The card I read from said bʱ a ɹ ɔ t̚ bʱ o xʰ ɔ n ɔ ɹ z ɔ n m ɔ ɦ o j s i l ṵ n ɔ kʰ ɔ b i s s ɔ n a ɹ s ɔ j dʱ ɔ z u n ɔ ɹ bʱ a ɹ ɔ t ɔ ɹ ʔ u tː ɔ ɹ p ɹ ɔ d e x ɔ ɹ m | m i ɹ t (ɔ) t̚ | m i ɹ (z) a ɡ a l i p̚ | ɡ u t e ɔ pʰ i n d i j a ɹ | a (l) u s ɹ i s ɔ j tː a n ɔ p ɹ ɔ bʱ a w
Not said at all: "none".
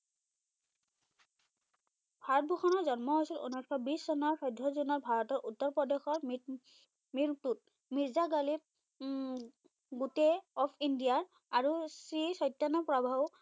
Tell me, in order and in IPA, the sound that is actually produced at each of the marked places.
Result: u, z, ɹ

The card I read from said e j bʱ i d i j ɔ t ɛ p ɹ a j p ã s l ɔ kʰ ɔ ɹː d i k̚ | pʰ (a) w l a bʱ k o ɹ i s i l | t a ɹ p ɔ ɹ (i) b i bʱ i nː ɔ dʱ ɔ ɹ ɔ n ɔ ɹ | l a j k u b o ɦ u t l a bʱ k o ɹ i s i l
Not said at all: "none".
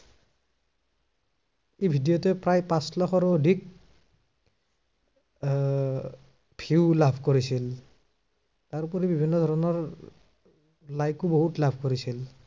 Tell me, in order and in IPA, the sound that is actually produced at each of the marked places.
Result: i, i

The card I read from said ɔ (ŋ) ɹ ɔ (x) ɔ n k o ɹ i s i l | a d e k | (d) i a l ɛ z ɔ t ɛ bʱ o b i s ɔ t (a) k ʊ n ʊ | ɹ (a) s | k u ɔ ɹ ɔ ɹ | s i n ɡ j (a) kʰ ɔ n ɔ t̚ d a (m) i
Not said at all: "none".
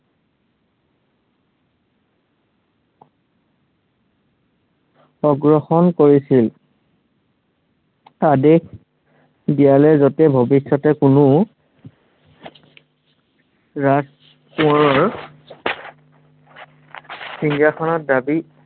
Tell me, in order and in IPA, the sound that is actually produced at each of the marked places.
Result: ɡ, x, d, ɛ, a, a, b

